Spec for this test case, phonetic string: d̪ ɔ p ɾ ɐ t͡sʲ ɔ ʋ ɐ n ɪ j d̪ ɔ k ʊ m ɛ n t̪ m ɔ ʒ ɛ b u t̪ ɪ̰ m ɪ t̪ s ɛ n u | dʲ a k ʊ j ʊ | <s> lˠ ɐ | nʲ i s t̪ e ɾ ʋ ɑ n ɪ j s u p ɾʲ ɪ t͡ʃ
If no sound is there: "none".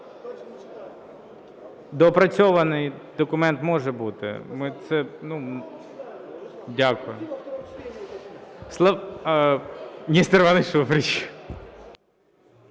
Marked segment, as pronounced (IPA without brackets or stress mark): s